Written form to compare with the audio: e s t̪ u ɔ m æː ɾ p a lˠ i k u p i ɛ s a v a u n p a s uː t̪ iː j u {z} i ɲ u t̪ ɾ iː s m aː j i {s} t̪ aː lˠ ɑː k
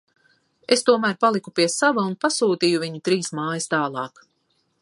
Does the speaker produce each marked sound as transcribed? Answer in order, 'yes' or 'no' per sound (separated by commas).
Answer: no, yes